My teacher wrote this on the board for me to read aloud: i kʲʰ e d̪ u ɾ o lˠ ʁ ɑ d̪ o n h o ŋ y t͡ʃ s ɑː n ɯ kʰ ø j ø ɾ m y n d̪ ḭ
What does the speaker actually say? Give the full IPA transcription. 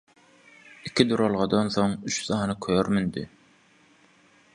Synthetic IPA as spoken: i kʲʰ i d̪ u ɾ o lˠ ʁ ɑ d̪ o n θ o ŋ y t͡ʃ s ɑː n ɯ kʰ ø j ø ɾ m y n d̪ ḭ

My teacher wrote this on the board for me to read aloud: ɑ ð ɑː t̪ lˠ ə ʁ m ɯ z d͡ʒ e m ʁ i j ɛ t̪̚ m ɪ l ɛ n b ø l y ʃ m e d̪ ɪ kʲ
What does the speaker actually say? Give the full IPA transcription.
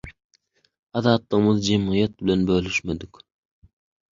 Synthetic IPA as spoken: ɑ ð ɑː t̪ lˠ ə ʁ m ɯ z d͡ʒ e m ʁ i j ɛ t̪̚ b ɪ l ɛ n b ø l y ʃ m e d̪ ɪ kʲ

